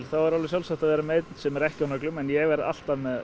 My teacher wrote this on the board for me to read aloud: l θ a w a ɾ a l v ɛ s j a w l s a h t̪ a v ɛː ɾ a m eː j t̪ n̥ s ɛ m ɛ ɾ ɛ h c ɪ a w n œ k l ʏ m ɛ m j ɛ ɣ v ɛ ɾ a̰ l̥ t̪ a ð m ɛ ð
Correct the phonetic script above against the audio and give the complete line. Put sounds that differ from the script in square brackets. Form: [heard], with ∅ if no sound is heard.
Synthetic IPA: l θ a [v] a ɾ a l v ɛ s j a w l s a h t̪ a v ɛː ɾ a m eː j t̪ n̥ s ɛ m ɛ ɾ ɛ h c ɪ a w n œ k l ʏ m ɛ [n] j ɛ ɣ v ɛ ɾ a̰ l̥ t̪ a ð m ɛ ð